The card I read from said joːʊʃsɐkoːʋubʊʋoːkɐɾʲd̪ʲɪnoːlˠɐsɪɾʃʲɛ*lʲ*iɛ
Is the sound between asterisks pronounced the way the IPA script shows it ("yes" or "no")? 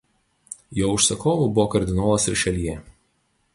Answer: yes